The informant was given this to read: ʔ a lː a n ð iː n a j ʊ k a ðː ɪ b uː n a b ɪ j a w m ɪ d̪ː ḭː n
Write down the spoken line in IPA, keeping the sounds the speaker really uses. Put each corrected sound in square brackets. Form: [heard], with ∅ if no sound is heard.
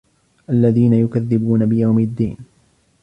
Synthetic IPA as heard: ʔ a lː a [∅] ð iː n a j ʊ k a ðː ɪ b uː n a b ɪ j a w m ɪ d̪ː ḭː n